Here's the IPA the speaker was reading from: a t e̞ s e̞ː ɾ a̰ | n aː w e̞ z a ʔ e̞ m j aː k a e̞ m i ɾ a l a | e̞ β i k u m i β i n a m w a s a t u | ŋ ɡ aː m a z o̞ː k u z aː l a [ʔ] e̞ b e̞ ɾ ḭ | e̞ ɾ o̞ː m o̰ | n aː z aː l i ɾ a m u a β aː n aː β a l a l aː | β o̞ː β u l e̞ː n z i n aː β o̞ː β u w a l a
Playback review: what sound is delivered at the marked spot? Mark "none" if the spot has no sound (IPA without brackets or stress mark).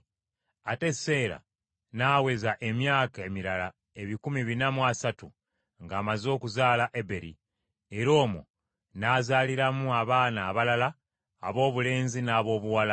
ʔ